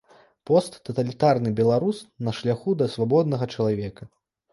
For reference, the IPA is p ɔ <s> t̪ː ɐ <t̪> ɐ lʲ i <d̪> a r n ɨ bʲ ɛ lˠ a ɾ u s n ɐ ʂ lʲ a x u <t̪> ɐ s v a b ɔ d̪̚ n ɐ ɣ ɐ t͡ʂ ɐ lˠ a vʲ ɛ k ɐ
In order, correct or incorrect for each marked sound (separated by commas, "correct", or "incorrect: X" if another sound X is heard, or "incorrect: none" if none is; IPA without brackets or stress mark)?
correct, correct, incorrect: t̪, incorrect: d̪